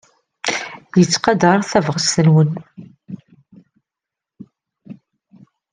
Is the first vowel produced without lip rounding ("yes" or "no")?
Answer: yes